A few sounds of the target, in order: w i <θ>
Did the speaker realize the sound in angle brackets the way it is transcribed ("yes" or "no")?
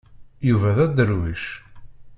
no